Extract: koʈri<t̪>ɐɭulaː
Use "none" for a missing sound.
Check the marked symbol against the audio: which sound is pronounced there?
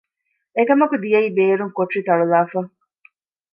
t̪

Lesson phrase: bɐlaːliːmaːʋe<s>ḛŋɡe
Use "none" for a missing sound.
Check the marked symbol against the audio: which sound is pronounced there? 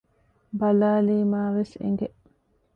s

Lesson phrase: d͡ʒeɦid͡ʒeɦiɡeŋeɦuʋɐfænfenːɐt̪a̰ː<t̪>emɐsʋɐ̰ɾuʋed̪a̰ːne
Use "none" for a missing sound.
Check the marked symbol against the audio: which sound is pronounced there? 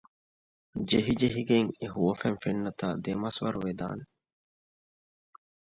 d̪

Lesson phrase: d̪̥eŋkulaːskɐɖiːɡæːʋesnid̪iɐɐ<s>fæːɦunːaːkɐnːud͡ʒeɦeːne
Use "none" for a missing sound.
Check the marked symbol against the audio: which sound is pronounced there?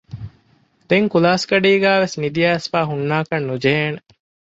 s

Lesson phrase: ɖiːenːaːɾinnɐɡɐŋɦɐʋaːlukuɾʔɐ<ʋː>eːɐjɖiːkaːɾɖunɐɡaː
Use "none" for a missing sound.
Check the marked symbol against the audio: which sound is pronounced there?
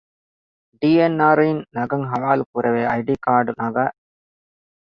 ʋ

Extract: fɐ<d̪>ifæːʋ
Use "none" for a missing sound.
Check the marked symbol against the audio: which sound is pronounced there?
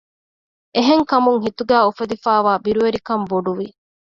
d̪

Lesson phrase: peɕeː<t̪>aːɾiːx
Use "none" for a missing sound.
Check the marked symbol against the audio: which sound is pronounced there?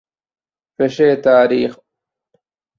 t̪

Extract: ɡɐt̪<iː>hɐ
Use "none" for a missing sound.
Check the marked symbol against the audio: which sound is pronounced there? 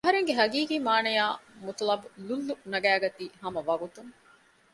iː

